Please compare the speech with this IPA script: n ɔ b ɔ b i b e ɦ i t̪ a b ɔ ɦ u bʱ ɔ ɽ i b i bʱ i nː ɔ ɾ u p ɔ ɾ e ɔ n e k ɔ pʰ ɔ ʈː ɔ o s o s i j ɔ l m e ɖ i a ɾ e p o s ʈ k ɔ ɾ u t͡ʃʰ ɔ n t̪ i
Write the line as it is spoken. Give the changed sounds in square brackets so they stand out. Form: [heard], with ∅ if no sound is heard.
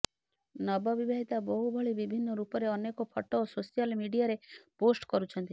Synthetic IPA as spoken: n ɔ b ɔ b i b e ɦ i t̪ a b ɔ ɦ u bʱ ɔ [ɭ] i b i bʱ i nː ɔ ɾ u p ɔ ɾ e ɔ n e k ɔ pʰ ɔ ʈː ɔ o s o s i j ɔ l m [i] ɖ i a ɾ e p o s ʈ k ɔ ɾ u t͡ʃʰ ɔ n t̪ i